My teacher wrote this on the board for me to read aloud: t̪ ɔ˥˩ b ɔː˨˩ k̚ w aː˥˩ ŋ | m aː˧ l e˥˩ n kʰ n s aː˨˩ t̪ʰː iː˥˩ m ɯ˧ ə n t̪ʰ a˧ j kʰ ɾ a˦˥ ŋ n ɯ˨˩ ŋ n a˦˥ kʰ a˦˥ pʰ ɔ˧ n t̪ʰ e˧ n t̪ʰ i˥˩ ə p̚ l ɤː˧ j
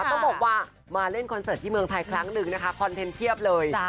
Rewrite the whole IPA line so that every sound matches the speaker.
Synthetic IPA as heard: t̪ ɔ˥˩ b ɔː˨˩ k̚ w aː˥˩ | m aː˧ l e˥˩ n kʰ n s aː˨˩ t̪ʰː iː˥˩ m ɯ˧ ə ŋ t̪ʰ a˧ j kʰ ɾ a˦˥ ŋ n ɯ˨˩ ŋ n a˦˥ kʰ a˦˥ kʰ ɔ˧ n t̪ʰ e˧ n t̪ʰ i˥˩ ə p̚ l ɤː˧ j